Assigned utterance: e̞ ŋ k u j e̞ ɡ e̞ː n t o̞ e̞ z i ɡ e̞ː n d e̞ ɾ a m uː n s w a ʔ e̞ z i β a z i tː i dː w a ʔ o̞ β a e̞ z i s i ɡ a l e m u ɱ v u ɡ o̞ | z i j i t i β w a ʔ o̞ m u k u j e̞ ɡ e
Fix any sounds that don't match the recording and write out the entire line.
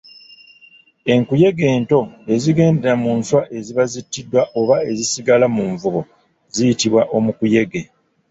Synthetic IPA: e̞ ŋ k u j e̞ ɡ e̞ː n t o̞ e̞ z i ɡ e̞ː n d e̞ ɾ a m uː n s w a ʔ e̞ z i β a z i tː i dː w a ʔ o̞ β a e̞ z i s i ɡ a l a m u ɱ v u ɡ o̞ | z i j i t i β w a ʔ o̞ m u k u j e̞ ɡ e